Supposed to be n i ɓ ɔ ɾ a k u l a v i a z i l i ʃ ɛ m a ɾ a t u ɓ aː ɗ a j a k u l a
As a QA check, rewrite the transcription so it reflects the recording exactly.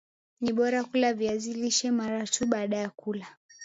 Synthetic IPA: n i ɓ ɔ ɾ a k u l a v i a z i l i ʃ ɛ m a ɾ a t u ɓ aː ɗ a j a k u l a